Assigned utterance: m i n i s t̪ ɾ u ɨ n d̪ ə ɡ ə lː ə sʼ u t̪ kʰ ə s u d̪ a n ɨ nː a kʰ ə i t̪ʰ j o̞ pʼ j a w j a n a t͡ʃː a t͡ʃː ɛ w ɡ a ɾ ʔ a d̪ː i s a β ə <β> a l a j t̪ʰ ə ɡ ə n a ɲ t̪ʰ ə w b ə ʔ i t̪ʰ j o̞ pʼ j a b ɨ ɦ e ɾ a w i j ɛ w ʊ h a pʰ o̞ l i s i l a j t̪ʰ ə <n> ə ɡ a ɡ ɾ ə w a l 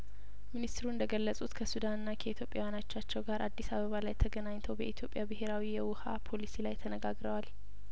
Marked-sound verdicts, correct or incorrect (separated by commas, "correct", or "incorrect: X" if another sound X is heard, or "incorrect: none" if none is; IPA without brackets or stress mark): correct, correct